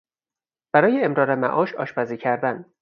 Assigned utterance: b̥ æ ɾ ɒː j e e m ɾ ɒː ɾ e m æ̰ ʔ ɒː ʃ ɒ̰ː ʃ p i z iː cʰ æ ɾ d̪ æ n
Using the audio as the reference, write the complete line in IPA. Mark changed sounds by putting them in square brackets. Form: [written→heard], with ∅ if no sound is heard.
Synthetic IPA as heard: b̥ æ ɾ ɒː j e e m ɾ ɒː ɾ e m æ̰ ʔ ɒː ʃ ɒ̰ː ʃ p [i→æ] z iː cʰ æ ɾ d̪ æ n